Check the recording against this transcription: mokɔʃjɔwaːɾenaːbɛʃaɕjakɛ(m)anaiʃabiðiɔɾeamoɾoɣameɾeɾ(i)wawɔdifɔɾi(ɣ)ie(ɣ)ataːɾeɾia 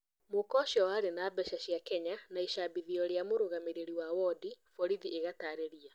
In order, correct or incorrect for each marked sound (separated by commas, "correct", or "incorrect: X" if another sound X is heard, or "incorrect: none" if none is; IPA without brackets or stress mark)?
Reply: incorrect: ɲ, correct, incorrect: ð, correct